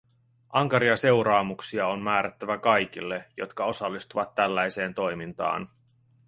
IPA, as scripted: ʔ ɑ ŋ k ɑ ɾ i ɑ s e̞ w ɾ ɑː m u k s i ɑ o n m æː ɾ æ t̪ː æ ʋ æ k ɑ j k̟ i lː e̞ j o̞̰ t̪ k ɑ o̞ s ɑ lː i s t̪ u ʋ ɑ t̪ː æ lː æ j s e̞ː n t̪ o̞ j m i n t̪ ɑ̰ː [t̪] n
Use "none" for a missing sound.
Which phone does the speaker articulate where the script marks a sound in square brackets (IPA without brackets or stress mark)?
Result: none